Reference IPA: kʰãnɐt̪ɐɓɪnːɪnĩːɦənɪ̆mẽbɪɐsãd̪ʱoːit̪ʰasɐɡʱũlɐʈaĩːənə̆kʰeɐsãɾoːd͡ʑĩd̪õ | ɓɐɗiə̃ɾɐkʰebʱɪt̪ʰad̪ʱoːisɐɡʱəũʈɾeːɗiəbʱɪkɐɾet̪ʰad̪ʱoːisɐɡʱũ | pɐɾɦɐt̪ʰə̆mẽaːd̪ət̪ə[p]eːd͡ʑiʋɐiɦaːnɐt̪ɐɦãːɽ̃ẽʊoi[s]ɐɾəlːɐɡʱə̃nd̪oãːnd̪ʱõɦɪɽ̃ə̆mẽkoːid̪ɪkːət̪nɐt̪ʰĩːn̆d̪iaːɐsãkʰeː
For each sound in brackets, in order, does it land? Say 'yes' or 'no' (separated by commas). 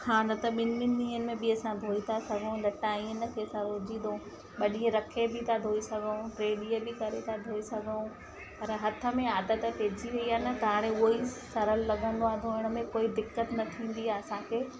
yes, yes